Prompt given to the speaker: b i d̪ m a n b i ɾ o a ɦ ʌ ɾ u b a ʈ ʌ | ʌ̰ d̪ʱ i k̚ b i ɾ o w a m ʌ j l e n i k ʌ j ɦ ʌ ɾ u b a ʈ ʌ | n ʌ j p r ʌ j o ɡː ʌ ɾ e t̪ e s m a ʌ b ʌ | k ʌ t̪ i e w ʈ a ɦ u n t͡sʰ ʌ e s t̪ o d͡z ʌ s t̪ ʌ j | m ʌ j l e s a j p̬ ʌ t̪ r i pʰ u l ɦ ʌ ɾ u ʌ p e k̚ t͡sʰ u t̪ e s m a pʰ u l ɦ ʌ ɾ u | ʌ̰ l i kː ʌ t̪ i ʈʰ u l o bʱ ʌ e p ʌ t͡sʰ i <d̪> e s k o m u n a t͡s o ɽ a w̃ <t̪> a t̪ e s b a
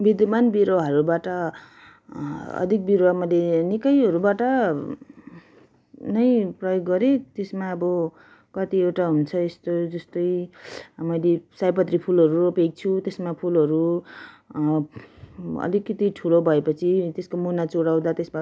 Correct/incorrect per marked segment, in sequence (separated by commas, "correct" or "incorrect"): incorrect, incorrect